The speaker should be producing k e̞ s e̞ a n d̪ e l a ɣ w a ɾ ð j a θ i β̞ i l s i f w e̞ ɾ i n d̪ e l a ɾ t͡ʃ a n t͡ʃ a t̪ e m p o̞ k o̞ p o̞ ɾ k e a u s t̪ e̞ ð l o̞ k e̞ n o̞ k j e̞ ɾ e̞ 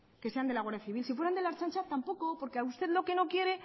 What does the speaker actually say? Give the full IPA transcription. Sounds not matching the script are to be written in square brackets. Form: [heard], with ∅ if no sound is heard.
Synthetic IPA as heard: k e̞ s e̞ a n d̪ e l a ɣ w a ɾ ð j a θ i β̞ i l s i f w e̞ ɾ [a] n d̪ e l a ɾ t͡ʃ a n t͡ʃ a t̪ [a] m p o̞ k o̞ p o̞ ɾ k e a u s t̪ e̞ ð l o̞ k e̞ n o̞ k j e̞ ɾ e̞